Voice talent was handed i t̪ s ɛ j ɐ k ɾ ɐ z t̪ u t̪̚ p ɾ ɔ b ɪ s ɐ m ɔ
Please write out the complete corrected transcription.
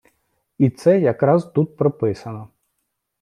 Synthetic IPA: i t̪ s ɛ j ɐ k ɾ ɑ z t̪ u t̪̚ p ɾ ɔ p ɪ s ɐ n ɔ